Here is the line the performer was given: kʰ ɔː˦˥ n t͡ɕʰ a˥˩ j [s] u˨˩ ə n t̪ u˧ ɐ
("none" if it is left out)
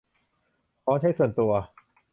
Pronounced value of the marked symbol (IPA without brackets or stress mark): s